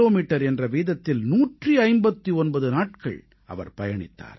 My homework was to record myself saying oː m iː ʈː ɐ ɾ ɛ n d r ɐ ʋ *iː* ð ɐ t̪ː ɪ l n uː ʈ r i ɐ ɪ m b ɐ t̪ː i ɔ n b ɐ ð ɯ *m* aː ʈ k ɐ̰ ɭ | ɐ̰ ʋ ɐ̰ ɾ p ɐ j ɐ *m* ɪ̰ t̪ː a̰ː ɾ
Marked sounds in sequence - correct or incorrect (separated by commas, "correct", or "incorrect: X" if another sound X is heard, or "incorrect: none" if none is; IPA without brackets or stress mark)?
correct, incorrect: n, incorrect: ɳ